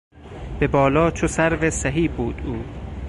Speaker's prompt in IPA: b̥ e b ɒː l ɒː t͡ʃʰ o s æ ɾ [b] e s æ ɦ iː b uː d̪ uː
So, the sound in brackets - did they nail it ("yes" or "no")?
no